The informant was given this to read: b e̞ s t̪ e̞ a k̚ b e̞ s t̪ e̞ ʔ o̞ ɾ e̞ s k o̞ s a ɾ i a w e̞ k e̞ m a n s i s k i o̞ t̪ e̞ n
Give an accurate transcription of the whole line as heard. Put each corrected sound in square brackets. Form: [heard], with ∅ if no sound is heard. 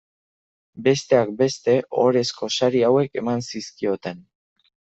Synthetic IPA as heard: b e̞ s t̪ e̞ a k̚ b e̞ s t̪ e̞ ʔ o̞ ɾ e̞ s k o̞ s a ɾ i a w e̞ k e̞ m a n s i s k i o̞ t̪ e̞ n